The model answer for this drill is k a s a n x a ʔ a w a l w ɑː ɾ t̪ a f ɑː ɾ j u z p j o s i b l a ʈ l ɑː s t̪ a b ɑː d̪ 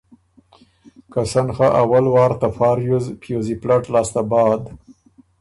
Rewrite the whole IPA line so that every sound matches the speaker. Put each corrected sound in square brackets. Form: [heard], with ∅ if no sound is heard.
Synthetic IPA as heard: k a s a n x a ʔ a w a l w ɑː ɾ t̪ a f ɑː ɾ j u z p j o [z] i [p] l a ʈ l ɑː s t̪ a b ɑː d̪